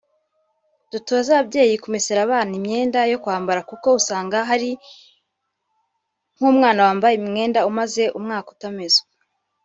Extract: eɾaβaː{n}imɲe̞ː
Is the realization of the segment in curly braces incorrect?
no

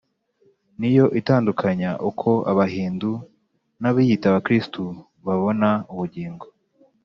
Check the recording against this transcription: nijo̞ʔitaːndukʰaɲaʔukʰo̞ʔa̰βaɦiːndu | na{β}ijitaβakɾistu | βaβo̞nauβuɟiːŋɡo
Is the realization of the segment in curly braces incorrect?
no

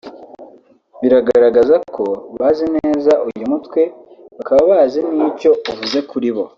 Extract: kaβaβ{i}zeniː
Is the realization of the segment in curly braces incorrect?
yes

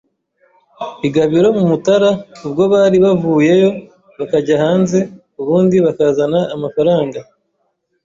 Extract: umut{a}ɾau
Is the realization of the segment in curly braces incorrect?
no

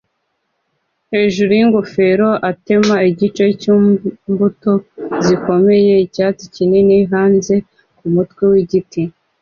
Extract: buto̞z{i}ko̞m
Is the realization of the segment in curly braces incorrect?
no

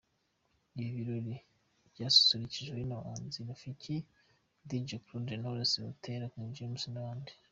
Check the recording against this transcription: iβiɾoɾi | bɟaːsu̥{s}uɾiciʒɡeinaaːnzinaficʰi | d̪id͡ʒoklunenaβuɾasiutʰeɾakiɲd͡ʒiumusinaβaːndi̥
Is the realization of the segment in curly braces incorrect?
no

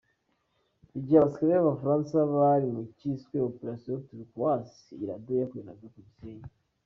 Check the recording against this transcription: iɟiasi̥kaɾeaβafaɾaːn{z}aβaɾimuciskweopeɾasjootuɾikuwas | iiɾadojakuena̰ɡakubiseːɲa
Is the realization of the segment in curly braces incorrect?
yes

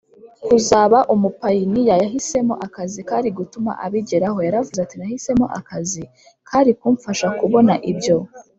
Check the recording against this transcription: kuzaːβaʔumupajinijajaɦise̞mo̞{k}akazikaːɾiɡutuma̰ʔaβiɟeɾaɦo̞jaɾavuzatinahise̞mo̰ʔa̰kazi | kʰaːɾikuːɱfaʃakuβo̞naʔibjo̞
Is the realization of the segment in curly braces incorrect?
yes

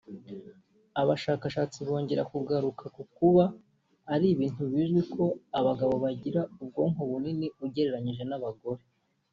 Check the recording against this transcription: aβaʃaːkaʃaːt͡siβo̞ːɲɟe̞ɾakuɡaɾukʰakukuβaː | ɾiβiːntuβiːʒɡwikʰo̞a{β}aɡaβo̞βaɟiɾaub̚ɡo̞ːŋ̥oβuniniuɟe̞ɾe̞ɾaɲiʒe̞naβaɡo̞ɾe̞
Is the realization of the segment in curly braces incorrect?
no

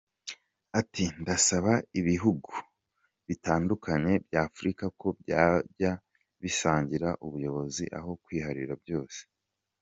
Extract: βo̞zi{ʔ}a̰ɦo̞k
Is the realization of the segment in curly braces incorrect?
no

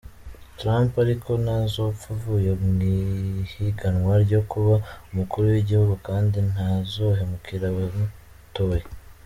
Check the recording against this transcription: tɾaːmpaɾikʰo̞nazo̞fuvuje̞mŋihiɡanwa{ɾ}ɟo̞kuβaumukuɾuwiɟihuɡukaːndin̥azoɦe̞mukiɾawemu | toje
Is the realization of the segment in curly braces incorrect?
no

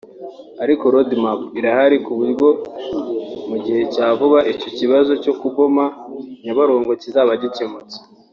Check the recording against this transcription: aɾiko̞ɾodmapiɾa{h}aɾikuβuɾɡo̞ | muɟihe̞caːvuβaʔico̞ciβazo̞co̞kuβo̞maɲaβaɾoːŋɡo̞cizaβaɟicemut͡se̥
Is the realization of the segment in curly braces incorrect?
no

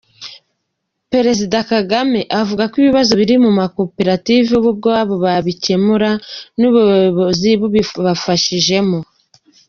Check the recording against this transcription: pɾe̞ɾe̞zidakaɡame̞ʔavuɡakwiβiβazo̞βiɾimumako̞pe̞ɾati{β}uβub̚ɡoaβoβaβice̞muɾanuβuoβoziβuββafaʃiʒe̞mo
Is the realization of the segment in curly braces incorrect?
yes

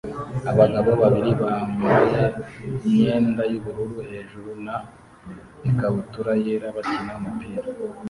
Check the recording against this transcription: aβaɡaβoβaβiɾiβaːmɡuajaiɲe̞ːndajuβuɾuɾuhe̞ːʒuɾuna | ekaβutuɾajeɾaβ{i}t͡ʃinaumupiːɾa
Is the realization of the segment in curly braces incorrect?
yes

